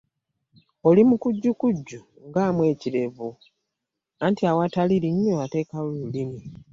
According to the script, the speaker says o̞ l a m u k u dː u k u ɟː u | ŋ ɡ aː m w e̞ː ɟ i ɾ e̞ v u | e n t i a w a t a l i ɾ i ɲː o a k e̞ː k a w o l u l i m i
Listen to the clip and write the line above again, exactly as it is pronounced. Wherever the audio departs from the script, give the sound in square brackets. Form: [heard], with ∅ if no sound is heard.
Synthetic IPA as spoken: o̞ l [i] m u k u [ɟː] u k u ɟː u | ŋ ɡ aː m w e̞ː [c] i ɾ e̞ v u | [a] n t i a w a t a l i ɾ i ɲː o a [t] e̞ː k a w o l u l i m i